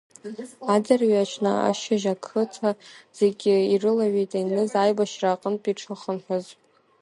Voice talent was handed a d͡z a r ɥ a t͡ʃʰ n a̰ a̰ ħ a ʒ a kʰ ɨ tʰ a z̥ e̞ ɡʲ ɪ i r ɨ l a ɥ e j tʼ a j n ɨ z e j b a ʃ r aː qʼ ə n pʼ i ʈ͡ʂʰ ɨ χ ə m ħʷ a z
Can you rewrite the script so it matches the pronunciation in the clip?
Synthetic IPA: a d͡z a r ɥ a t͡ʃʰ n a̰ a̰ ʃ a ʒ a kʰ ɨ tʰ a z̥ e̞ ɡʲ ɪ i r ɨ l a ɥ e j tʼ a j n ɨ z a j b a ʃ r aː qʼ ə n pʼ i ʈ͡ʂʰ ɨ χ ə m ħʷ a z